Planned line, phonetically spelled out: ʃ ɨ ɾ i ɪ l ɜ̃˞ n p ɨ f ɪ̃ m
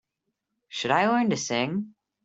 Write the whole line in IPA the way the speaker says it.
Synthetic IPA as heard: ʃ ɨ ɾ a ɪ l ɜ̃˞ n t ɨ s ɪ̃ ŋ